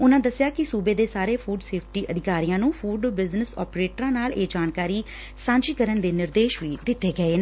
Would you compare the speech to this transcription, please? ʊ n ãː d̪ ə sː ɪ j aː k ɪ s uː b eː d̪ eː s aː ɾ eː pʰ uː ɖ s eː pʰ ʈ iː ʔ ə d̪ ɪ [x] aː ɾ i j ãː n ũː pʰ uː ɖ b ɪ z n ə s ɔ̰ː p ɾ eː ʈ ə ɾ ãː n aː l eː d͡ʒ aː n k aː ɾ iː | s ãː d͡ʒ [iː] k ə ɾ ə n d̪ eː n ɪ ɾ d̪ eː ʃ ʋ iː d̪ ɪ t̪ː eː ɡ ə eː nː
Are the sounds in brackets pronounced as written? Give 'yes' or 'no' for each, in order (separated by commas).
no, yes